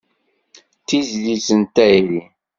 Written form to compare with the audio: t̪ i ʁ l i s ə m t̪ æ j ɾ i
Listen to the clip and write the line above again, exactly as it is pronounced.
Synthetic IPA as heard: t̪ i z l i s ə n t̪ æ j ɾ i